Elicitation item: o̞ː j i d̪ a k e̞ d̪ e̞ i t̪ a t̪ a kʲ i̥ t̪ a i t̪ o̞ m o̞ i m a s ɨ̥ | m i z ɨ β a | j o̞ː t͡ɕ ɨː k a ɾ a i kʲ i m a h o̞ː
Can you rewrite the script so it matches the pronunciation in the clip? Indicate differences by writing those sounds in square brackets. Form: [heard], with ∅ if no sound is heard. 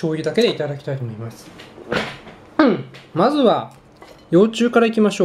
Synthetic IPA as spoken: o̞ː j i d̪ a k e̞ d̪ e̞ i t̪ a [d̪] a kʲ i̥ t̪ a i t̪ o̞ m o̞ i m a s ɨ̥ | m [a] z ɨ β a | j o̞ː t͡ɕ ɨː k a ɾ a i kʲ i m a [ɕ] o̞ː